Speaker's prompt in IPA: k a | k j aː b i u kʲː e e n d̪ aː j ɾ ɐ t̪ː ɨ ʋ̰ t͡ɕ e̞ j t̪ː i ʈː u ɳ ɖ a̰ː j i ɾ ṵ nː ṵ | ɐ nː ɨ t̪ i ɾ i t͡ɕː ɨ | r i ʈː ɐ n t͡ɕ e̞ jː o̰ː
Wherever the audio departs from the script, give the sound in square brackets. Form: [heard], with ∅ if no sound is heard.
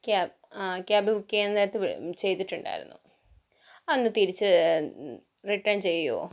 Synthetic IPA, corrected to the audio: k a | k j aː b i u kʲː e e n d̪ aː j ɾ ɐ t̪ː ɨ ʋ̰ t͡ɕ e̞ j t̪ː i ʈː u ɳ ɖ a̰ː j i ɾ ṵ nː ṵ | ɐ nː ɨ t̪ i ɾ i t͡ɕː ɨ | r i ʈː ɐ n t͡ɕ e̞ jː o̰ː